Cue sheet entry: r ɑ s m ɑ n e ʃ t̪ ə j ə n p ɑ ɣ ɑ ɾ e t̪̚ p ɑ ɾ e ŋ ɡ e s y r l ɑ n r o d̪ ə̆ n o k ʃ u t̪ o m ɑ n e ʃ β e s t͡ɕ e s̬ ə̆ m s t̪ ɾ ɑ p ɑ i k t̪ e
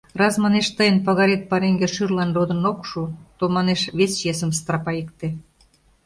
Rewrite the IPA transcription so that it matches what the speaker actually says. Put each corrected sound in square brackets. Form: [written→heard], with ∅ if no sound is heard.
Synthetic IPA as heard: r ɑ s m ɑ n e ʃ t̪ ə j ə n p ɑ ɣ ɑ ɾ e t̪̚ p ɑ ɾ e ŋ ɡ e [s→ʃ] y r l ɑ n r o d̪ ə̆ n o k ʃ u t̪ o m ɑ n e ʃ β e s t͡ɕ e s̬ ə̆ m s t̪ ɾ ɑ p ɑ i k t̪ e